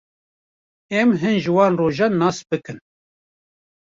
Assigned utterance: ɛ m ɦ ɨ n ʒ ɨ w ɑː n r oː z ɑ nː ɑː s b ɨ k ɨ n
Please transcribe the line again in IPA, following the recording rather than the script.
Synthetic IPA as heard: ɛ m ɦ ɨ n ʒ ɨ w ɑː n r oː ʒ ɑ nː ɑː s b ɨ k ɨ n